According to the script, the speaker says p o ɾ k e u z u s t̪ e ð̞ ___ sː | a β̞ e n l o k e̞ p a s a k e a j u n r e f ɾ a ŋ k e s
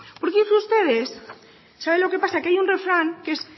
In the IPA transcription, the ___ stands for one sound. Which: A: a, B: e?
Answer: B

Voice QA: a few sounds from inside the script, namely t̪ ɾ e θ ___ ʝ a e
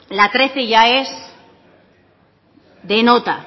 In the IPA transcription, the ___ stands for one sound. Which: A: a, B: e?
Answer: B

